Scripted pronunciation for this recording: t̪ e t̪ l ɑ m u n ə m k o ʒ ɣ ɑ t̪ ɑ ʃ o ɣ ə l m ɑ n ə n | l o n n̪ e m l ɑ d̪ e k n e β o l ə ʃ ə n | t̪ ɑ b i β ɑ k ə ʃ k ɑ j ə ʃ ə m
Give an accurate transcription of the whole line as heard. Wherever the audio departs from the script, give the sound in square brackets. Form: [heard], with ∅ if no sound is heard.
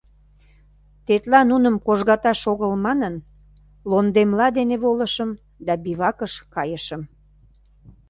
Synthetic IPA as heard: t̪ e t̪ l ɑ [n] u n ə m k o ʒ ɣ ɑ t̪ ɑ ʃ o ɣ ə l m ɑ n ə n | l o n [d̪] e m l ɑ d̪ e [∅] n e β o l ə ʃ ə [m] | [d̪] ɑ b i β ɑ k ə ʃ k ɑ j ə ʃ ə m